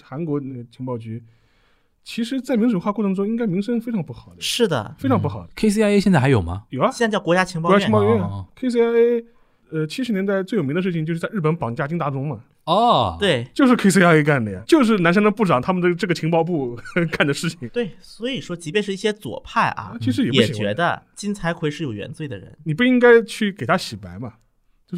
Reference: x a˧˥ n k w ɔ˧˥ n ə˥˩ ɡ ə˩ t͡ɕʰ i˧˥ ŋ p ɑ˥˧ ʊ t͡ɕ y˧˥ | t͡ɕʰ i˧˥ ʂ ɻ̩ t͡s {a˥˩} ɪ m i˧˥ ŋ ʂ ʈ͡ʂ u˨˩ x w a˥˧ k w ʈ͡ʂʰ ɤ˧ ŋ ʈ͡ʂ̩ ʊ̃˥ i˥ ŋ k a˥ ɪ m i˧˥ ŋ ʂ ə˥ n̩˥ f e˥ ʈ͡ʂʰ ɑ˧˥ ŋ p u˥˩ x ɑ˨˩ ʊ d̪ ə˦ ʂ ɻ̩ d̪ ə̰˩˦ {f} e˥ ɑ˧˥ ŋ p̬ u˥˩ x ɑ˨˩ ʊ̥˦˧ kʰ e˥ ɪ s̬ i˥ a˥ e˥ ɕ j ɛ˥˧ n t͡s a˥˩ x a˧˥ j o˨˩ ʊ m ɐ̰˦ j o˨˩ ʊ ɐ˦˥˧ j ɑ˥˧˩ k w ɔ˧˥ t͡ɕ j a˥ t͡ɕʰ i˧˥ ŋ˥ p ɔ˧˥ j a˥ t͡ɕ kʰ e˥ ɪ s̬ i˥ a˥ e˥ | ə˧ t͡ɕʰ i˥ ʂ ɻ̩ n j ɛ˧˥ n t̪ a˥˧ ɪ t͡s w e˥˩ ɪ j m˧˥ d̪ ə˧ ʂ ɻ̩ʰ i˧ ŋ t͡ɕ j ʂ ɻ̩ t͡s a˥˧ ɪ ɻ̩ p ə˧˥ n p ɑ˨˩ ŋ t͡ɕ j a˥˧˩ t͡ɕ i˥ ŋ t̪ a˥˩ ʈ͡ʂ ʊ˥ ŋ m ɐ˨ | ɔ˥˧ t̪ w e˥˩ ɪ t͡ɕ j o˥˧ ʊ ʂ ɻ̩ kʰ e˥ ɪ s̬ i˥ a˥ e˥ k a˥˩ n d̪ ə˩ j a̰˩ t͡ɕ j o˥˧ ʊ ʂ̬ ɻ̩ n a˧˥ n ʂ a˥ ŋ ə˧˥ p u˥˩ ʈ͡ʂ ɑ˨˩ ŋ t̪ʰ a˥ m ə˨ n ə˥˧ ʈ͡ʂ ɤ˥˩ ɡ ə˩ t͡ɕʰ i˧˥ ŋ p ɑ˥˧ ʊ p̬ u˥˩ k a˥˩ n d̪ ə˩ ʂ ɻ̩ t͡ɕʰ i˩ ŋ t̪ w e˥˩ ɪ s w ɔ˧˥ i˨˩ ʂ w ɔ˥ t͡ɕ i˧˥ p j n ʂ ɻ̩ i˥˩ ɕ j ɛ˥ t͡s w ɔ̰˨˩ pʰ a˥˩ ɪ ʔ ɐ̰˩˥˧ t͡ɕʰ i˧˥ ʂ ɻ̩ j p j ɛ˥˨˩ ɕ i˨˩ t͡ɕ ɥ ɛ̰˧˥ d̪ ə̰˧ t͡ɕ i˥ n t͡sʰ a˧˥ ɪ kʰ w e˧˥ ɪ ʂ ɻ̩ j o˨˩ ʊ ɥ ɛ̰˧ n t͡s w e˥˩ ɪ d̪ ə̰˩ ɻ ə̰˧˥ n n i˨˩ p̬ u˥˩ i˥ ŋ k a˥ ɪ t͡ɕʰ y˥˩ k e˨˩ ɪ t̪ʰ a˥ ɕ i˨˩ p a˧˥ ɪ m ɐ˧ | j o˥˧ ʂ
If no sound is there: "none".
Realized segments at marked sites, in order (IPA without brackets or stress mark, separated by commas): a˥˩, f